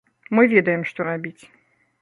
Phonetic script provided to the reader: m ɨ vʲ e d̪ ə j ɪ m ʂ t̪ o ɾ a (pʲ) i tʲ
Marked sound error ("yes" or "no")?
yes